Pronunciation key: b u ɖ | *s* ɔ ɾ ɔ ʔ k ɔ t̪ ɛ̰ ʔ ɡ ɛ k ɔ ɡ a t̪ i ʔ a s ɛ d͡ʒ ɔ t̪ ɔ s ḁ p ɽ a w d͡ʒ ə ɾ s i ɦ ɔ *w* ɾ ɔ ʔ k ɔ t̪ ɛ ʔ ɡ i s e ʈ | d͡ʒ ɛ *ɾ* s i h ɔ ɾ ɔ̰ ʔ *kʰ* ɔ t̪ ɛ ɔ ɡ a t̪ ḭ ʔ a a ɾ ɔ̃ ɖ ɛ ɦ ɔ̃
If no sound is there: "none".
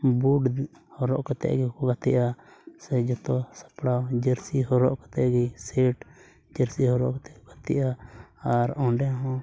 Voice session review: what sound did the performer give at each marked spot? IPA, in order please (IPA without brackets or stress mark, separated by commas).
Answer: h, none, ɾ, k